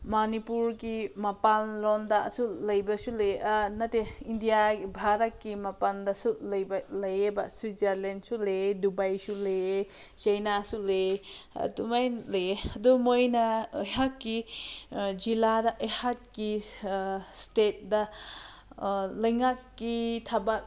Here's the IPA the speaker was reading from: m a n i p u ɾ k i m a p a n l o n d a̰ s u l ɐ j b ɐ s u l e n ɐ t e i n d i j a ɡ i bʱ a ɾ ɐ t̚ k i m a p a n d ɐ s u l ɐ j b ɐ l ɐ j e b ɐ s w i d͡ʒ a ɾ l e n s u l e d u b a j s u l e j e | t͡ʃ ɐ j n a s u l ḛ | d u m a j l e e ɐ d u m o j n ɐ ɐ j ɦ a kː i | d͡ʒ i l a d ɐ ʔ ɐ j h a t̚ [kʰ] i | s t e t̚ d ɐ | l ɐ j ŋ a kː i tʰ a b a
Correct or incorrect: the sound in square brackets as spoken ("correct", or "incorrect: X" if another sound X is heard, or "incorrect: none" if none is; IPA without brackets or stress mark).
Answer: incorrect: k